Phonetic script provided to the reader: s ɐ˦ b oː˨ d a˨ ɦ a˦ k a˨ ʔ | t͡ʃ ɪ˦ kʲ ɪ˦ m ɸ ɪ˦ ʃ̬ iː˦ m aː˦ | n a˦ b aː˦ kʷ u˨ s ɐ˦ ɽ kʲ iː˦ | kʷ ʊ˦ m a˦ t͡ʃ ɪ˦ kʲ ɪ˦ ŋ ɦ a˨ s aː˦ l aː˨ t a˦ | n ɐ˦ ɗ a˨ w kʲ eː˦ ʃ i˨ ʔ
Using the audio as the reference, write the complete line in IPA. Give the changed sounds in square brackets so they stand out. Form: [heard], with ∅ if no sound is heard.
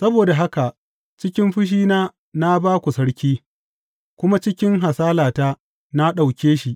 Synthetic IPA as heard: s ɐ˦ b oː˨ d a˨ ɦ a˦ k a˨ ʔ | t͡ʃ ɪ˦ kʲ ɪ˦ m ɸ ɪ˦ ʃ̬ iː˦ [n] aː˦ | n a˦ b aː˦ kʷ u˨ s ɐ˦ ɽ kʲ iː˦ | kʷ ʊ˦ m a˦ t͡ʃ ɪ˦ kʲ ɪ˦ ŋ ɦ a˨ s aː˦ l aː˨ t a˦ | n [a˦] ɗ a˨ w kʲ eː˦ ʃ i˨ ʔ